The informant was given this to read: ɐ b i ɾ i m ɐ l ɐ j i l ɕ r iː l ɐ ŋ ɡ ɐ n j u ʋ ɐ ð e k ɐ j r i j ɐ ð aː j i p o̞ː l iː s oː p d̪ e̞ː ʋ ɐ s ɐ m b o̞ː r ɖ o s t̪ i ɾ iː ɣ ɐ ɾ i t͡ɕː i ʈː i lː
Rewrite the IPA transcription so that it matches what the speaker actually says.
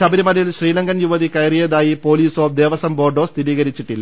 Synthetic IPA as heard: ɐ b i ɾ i m ɐ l ɐ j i l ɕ r iː l ɐ ŋ ɡ ɐ n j u ʋ ɐ ð i k ɐ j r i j ɐ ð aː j i p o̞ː l iː s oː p d̪ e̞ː ʋ ɐ s ɐ m b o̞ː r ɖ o s t̪ i ɾ iː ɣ ɐ ɾ i t͡ɕː i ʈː i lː

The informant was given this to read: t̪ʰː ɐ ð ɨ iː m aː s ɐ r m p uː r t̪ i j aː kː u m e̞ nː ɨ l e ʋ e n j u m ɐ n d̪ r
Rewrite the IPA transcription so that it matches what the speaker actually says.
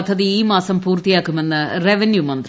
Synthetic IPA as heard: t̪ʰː ɐ ð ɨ iː m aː s ɐ m p uː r t̪ i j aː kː u m e̞ nː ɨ r e ʋ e n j u m ɐ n d̪ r

